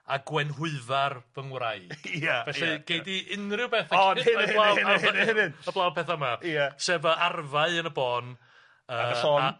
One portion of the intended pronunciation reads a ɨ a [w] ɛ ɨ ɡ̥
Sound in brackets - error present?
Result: yes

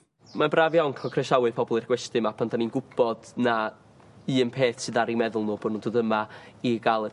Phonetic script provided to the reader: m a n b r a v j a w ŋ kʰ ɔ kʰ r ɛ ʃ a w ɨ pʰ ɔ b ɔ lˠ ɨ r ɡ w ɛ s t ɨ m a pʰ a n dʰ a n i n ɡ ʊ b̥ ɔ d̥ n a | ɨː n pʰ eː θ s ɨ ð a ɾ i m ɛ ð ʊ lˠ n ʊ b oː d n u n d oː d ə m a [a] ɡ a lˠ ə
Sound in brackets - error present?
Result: yes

